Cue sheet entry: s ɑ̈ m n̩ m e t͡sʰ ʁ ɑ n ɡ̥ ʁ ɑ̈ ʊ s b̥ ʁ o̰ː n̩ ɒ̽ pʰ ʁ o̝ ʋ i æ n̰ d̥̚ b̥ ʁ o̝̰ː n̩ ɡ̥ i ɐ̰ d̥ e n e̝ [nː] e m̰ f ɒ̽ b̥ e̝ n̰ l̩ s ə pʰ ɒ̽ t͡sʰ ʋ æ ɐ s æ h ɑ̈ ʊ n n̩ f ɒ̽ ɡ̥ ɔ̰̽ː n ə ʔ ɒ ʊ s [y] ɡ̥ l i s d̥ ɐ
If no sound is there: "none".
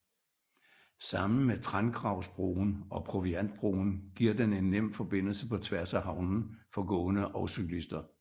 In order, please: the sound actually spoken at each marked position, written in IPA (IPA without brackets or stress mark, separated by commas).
nː, y